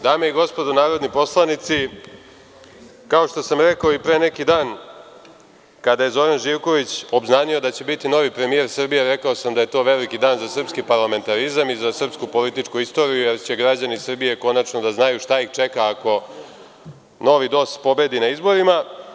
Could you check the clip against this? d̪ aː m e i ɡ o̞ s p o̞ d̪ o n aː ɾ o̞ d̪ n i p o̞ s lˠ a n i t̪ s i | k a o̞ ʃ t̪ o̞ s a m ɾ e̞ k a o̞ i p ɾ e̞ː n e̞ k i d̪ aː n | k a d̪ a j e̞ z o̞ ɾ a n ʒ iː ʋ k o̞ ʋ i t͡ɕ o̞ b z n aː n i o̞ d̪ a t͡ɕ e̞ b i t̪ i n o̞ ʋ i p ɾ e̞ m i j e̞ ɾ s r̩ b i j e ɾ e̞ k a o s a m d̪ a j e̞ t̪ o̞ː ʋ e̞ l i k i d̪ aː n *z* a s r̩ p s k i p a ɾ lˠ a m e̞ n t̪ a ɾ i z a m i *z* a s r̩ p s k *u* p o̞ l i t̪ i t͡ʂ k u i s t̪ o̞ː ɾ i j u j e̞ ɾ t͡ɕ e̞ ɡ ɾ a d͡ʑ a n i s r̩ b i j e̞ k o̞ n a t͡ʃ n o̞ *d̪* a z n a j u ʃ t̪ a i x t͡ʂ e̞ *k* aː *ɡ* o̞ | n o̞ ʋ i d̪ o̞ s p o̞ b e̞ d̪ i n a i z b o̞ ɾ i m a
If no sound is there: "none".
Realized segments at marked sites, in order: z, z, u, d̪, k, k

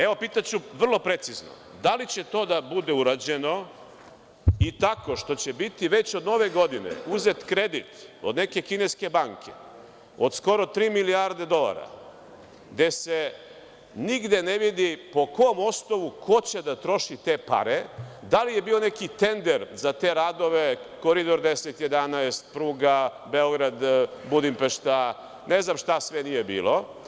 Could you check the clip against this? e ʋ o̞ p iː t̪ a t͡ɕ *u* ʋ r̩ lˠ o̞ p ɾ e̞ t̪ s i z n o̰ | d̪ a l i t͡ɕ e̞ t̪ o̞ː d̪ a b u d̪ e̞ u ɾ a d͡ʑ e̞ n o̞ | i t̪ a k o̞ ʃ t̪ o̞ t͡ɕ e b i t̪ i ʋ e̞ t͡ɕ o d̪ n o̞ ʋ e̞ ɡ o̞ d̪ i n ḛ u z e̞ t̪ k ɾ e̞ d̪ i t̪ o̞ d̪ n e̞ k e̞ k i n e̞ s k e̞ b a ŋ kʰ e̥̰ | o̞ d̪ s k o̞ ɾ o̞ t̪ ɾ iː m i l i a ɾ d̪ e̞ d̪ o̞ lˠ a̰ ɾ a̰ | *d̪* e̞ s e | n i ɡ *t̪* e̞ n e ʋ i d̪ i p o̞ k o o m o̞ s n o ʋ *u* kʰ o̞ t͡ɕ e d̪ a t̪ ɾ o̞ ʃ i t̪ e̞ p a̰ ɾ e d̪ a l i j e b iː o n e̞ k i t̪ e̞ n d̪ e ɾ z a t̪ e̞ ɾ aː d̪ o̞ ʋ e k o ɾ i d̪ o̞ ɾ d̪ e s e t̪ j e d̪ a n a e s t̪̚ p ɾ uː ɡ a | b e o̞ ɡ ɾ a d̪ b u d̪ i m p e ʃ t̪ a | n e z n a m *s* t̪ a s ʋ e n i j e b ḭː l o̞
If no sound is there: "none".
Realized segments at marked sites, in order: u, d̪, d̪, u, ʃ

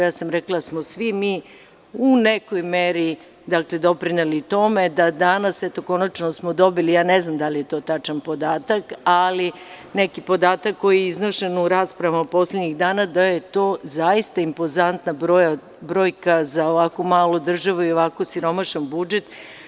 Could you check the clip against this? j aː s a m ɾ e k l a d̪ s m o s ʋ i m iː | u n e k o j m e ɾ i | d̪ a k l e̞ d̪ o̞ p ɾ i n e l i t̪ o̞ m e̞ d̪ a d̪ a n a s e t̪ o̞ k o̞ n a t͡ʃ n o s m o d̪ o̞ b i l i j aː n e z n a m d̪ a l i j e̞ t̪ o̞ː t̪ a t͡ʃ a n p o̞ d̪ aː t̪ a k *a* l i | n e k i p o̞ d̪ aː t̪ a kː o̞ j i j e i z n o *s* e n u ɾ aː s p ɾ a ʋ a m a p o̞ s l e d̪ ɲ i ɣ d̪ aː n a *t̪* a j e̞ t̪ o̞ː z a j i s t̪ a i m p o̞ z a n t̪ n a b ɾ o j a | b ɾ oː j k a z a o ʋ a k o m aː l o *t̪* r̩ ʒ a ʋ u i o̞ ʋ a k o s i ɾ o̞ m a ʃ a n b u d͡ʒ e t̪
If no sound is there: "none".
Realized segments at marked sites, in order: a, ʃ, d̪, d̪

